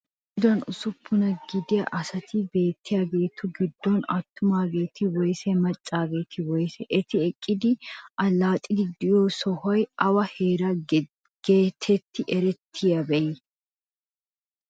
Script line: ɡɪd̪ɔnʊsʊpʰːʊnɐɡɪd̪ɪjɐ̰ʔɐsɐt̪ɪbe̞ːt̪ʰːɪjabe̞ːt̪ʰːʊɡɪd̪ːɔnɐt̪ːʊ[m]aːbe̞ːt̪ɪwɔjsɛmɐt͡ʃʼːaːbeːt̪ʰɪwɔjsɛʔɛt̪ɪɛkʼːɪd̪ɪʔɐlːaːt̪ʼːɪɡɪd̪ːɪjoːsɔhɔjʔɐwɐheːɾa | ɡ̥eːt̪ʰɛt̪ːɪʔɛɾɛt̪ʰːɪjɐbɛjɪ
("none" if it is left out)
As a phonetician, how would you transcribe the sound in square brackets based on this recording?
m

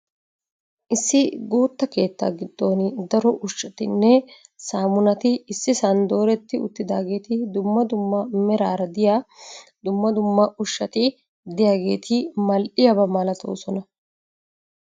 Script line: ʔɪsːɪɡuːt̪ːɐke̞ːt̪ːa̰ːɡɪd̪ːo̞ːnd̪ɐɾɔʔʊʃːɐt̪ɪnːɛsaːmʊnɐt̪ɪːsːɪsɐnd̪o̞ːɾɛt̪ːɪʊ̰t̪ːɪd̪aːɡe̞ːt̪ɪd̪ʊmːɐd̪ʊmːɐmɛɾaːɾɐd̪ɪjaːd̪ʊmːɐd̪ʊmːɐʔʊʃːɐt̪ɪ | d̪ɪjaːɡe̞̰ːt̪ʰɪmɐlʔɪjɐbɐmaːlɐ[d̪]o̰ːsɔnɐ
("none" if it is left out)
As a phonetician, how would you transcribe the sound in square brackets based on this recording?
t̪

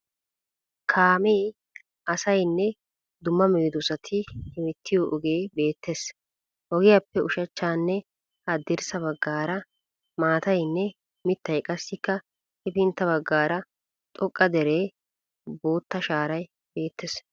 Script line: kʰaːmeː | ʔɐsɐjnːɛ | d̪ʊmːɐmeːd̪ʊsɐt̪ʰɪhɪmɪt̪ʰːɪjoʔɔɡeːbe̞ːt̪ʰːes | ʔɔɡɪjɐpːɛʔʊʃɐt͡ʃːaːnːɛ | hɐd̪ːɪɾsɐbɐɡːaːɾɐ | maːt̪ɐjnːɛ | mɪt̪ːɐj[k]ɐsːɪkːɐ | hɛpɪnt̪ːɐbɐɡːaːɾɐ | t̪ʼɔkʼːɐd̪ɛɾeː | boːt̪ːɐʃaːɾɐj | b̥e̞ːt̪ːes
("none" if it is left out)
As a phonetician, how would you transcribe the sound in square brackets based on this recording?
kʼ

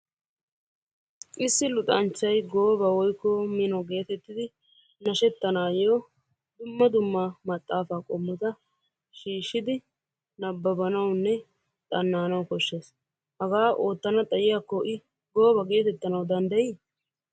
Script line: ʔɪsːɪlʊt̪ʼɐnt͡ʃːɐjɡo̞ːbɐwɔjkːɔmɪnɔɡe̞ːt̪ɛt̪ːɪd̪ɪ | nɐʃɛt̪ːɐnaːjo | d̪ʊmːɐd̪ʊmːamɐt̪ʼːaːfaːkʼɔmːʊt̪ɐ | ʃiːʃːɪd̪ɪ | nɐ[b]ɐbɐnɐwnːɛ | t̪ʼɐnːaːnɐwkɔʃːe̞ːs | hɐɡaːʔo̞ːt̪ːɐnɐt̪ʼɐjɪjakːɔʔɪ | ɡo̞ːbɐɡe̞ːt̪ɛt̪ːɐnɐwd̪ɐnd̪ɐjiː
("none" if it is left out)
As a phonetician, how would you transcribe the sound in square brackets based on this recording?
bː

